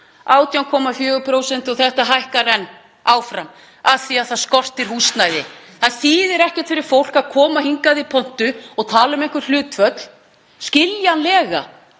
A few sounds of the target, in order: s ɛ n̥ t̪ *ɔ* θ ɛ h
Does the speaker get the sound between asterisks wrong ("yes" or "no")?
no